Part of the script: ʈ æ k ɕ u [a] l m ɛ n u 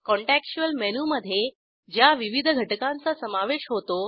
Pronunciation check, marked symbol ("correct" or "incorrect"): incorrect